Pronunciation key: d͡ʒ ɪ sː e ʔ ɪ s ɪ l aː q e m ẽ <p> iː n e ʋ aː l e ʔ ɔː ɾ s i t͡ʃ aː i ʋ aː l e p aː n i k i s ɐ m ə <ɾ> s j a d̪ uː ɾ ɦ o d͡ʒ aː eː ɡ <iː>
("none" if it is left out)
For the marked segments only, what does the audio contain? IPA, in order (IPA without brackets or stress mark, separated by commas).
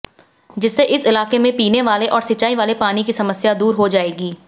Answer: p, none, iː